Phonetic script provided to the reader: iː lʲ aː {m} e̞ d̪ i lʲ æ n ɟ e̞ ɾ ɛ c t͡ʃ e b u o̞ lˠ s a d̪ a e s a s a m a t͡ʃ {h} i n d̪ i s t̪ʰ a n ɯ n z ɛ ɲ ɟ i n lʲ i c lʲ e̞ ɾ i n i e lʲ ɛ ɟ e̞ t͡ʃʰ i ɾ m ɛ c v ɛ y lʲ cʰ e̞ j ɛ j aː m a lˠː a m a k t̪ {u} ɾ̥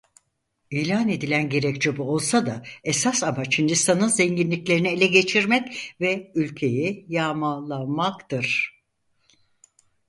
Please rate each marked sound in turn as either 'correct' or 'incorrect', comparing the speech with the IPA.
incorrect, correct, incorrect

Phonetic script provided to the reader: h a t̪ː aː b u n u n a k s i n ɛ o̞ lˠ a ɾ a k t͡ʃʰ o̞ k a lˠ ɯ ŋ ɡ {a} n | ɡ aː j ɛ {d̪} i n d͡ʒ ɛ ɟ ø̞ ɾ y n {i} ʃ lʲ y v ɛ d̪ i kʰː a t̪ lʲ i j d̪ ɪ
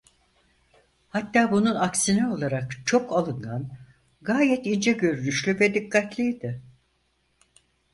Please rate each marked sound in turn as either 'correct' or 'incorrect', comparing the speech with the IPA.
correct, incorrect, incorrect

